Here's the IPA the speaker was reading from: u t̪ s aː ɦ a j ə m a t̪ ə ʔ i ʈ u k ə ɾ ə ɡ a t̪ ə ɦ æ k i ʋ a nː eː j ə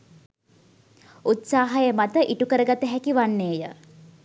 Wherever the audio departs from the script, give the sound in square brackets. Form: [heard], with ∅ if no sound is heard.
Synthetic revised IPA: u t̪ s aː ɦ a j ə m a t̪ ə ʔ i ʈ u k ə ɾ ə ɡ a t̪ ə ɦ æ k i ʋ a nː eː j ə

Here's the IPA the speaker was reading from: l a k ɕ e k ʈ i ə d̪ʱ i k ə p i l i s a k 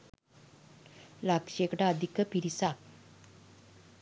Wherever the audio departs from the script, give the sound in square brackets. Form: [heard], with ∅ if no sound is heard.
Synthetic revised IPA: l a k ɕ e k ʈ [a] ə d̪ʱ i k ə p i [ɾ] i s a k

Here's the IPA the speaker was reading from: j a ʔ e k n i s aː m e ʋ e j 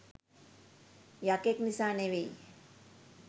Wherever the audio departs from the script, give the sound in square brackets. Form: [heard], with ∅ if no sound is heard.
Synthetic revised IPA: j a [k] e k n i s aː [n] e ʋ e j

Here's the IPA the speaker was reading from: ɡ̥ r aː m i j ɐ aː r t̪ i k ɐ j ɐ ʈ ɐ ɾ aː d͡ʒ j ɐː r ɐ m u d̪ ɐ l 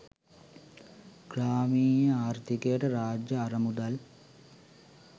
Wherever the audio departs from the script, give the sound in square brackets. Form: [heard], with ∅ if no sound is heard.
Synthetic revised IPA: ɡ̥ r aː m [iː] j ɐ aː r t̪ i k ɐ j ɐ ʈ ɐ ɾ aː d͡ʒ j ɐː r ɐ m u d̪ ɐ l

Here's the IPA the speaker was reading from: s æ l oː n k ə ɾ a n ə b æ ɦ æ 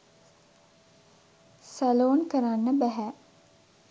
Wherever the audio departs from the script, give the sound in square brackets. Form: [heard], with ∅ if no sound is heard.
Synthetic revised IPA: s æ l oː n k ə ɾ a [nː] ə b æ ɦ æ

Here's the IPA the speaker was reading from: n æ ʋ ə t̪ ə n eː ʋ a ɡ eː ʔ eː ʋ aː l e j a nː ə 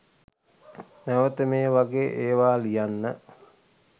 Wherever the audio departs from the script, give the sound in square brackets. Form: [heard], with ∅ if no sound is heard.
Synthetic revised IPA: n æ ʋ ə t̪ ə [m] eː ʋ a ɡ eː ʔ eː ʋ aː l [i] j a nː ə

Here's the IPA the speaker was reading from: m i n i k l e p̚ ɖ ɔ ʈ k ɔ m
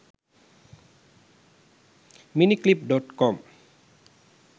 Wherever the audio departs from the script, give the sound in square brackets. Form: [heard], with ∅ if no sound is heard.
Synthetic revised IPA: m i n i k l [i] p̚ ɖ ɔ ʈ k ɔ m

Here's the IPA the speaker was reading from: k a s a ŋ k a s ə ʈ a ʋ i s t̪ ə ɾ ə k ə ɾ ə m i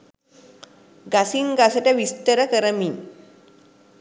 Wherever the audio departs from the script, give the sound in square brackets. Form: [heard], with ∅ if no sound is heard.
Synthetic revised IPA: [ɡ] a s [i] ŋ [ɡ] a s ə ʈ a ʋ i s t̪ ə ɾ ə k ə ɾ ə m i

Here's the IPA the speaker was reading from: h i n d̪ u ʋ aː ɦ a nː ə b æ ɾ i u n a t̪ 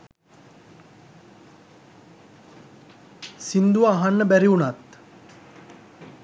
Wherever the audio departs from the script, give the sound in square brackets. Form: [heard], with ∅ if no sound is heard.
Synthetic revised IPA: [s] i n d̪ u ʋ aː ɦ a nː ə b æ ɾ i u n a t̪

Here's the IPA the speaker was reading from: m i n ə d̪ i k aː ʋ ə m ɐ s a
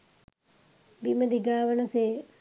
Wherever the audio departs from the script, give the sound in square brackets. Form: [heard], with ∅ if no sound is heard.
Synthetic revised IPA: [b] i [m] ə d̪ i [ɡ] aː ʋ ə [n] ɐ s [e]

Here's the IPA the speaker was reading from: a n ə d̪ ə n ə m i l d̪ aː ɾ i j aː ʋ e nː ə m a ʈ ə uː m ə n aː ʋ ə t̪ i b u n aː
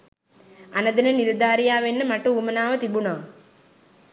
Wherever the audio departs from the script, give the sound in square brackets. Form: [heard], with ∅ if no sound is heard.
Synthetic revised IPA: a n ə d̪ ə n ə [n] i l d̪ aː ɾ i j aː ʋ e nː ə m a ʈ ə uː m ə n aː ʋ ə t̪ i b u n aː

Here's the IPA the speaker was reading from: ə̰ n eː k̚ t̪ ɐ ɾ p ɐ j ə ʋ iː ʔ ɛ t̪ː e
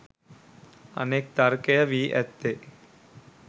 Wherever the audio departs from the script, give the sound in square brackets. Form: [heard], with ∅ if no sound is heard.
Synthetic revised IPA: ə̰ n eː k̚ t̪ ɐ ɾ [k] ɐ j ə ʋ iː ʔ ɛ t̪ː e

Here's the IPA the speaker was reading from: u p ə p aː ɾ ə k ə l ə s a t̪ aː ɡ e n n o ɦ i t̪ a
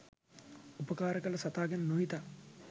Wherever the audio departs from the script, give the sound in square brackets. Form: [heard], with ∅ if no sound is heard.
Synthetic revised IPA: u p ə [k] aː ɾ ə k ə l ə s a t̪ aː ɡ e n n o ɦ i t̪ a

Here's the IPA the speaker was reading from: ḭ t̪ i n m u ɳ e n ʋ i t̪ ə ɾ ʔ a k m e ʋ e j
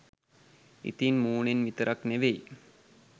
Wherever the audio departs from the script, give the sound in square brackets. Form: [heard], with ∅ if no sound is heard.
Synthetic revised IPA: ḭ t̪ i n m [uː] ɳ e n ʋ i t̪ ə ɾ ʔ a k [n] e ʋ e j

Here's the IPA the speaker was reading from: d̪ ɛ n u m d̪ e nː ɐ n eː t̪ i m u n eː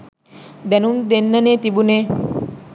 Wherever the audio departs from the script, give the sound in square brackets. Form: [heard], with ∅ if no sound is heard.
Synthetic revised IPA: d̪ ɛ n u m d̪ e nː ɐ n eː t̪ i [b] u n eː

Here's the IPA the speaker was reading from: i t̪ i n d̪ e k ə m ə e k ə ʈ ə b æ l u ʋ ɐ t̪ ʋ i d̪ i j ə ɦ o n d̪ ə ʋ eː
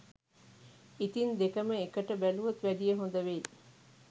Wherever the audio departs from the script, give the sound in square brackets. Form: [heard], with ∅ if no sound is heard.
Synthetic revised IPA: i t̪ i n d̪ e k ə m ə e k ə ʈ ə b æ l u ʋ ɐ t̪ ʋ [æ] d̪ i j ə ɦ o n d̪ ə ʋ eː

